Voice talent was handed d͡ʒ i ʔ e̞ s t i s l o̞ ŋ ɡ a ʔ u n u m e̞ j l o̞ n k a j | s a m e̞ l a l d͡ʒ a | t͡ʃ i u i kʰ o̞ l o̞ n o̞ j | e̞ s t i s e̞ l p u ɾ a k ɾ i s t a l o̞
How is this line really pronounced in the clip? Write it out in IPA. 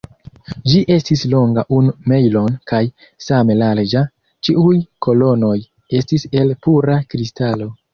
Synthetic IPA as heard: d͡ʒ i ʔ e̞ s t i s l o̞ ŋ ɡ a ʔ u n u m e̞ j l o̞ n k a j | s a m e̞ l a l d͡ʒ a | t͡ʃ i u j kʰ o̞ l o̞ n o̞ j | e̞ s t i s e̞ l p u ɾ a k ɾ i s t a l o̞